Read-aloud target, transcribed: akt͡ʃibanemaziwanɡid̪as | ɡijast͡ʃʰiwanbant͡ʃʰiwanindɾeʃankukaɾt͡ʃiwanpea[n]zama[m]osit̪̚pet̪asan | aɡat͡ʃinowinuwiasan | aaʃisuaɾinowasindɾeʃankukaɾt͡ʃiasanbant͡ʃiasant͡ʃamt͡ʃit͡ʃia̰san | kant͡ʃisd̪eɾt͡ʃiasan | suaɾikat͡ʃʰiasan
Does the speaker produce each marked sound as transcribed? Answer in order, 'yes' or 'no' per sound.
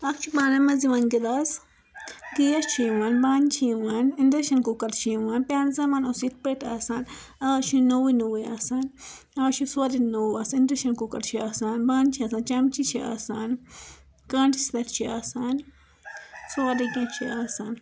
yes, no

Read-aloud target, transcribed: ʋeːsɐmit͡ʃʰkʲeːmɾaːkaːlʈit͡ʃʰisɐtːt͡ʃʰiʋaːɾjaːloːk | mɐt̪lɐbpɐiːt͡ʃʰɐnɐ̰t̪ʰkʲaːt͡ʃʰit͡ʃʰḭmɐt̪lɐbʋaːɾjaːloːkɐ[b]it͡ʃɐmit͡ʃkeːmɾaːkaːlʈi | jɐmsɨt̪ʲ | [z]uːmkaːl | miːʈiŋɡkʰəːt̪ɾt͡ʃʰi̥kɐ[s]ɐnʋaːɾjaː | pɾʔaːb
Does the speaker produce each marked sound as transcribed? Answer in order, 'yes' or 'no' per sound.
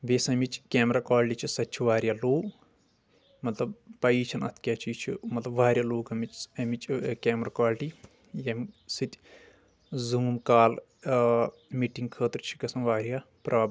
no, yes, yes

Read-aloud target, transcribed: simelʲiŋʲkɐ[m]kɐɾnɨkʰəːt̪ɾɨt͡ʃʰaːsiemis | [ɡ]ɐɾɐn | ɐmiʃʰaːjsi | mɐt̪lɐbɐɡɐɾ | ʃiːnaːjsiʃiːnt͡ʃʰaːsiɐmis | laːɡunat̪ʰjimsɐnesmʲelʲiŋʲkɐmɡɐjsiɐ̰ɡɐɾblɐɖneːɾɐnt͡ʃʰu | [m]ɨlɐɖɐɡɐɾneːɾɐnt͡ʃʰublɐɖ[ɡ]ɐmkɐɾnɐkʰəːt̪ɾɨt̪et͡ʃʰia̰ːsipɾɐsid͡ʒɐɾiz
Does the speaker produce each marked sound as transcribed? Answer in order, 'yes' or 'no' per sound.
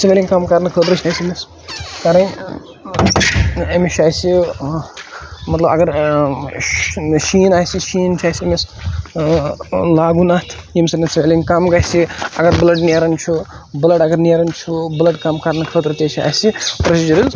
yes, no, no, no

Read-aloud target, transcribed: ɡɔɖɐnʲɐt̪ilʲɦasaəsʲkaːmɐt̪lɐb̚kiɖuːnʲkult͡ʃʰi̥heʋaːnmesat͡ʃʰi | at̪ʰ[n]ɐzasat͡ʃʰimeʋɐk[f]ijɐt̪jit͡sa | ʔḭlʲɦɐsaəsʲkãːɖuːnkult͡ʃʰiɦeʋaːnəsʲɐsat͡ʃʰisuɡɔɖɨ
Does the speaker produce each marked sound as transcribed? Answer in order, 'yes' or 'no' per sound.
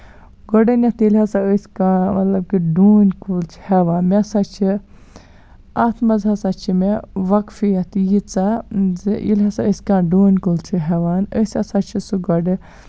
no, yes

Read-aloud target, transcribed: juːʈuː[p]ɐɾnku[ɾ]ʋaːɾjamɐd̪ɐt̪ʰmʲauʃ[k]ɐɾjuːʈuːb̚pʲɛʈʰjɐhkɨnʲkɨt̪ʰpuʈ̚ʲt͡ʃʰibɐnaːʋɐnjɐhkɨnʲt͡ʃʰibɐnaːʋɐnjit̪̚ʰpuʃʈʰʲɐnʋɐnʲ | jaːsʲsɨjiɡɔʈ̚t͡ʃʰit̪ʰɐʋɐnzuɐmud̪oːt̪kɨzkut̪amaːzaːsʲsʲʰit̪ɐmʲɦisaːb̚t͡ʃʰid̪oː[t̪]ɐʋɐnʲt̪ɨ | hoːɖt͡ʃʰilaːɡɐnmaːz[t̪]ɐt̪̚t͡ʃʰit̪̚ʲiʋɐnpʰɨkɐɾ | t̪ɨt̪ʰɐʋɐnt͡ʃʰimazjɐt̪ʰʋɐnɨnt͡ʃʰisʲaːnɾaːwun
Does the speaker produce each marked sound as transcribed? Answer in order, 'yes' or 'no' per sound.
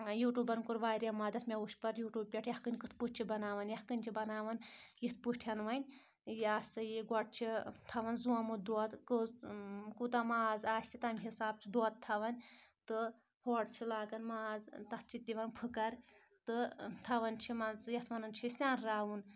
no, yes, no, no, yes

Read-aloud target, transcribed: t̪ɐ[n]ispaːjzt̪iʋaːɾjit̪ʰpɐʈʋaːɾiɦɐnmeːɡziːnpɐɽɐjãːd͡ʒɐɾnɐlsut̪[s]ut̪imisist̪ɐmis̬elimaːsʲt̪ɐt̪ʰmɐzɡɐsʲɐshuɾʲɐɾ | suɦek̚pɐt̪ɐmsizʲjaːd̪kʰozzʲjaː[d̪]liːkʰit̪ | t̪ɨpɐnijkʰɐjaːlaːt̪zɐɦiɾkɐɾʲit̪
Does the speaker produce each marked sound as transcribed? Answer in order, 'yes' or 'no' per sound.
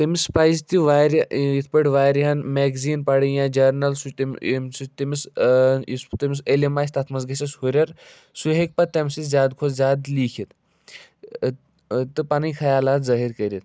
no, yes, yes

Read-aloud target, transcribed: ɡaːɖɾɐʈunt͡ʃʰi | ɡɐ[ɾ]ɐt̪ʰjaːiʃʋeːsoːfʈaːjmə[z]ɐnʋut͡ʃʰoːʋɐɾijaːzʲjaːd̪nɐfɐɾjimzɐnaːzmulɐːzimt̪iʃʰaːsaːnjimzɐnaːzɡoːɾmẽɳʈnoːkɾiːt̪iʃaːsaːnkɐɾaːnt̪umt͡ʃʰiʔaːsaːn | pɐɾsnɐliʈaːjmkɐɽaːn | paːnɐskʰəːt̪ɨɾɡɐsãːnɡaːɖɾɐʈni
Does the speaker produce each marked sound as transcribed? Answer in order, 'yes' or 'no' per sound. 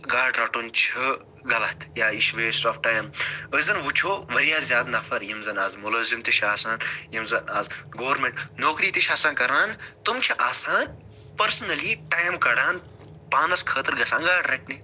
no, yes

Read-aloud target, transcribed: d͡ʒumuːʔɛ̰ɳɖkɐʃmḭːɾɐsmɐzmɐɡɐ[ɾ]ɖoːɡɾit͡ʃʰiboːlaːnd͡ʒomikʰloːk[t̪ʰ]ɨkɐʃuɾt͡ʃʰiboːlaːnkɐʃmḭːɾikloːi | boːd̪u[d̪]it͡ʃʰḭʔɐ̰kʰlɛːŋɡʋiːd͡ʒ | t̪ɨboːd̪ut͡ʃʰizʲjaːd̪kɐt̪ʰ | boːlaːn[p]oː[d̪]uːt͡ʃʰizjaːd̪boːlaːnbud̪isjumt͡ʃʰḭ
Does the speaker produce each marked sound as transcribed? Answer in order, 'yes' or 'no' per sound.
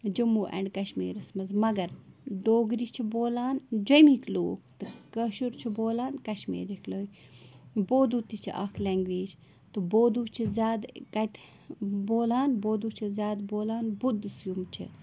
yes, no, no, no, yes

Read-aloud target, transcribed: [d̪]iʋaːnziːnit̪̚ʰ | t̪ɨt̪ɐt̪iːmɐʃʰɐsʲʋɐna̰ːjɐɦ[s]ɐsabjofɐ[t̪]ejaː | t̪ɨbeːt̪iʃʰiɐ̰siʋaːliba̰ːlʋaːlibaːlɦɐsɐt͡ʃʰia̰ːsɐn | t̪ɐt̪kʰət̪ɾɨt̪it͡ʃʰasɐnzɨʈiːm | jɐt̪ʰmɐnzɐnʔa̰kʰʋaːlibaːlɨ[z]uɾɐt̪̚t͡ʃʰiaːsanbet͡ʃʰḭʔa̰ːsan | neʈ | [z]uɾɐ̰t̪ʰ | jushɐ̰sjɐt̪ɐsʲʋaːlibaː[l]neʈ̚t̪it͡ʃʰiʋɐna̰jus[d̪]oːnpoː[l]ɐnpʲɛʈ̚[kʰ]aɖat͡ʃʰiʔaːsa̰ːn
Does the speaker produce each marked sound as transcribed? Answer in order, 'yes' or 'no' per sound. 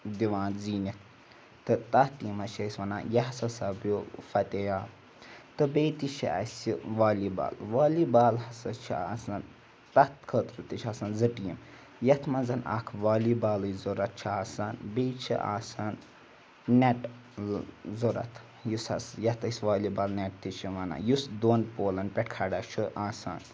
yes, yes, yes, yes, yes, yes, yes, yes, yes

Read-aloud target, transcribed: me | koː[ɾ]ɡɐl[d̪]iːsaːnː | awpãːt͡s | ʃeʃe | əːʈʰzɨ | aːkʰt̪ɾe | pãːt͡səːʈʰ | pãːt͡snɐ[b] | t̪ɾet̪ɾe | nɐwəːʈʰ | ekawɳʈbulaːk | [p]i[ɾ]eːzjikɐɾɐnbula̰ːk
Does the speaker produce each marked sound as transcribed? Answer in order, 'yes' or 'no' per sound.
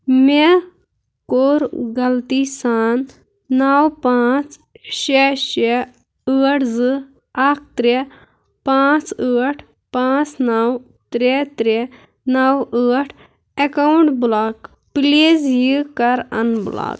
yes, no, no, yes, no

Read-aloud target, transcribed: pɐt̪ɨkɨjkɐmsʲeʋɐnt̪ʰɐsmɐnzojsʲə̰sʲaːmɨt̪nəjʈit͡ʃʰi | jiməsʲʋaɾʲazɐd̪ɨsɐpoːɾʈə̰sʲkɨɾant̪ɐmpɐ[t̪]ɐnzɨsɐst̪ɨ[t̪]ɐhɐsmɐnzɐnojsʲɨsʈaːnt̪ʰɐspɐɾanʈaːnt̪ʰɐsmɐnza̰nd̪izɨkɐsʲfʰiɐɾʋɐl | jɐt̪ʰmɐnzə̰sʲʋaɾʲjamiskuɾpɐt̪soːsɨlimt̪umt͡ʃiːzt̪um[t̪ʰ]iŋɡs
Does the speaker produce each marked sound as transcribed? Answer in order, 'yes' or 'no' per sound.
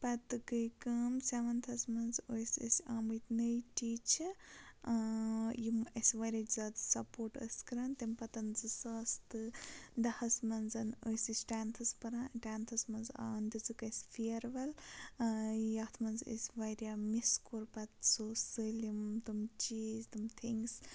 yes, no, yes

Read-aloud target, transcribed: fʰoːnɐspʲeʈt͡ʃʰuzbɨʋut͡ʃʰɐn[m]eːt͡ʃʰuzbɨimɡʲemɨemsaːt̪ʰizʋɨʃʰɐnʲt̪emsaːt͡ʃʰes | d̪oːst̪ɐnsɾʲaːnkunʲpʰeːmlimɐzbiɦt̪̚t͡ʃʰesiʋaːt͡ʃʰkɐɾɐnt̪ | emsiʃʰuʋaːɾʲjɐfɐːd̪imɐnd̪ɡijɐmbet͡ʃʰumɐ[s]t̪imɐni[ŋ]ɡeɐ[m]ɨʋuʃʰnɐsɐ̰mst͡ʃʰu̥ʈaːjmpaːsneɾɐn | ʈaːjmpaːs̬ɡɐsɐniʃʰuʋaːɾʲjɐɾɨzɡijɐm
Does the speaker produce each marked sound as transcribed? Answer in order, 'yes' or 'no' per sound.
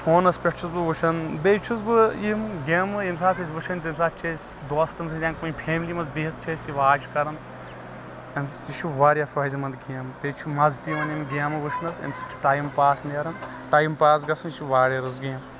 no, no, no, yes

